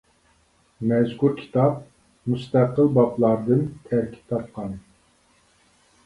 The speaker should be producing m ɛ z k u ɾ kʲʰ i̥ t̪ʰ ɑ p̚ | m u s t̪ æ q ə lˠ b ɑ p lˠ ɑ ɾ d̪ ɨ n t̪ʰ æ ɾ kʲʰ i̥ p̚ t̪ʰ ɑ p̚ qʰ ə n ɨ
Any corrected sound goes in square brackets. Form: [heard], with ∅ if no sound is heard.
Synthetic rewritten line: m ɛ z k u ɾ kʲʰ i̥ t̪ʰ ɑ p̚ | m u s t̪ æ q ə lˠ b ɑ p lˠ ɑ ɾ d̪ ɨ n t̪ʰ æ ɾ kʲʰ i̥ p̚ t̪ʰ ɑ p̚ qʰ [ɑ] n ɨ